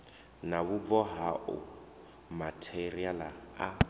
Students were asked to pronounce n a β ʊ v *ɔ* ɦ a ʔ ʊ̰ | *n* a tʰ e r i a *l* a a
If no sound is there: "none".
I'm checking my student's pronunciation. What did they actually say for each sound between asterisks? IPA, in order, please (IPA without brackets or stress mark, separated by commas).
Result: ɔ, m, l